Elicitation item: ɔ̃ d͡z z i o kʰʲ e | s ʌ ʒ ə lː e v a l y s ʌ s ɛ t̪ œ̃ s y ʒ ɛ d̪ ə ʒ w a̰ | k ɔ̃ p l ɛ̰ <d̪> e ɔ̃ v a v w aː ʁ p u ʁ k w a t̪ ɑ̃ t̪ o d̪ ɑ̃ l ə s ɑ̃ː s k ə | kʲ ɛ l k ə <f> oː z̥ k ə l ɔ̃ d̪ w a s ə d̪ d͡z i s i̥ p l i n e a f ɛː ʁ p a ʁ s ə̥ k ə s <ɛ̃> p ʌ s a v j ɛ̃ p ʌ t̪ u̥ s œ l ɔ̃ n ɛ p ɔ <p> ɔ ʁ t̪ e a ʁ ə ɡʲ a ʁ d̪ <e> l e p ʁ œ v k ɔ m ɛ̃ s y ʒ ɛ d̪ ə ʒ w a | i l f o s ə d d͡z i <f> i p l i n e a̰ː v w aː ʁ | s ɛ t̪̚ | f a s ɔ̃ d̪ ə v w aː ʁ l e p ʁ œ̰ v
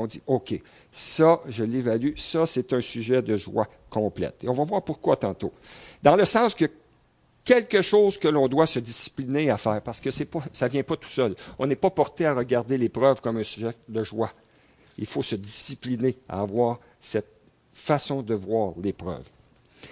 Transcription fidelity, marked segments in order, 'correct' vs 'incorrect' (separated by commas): incorrect, incorrect, incorrect, correct, correct, incorrect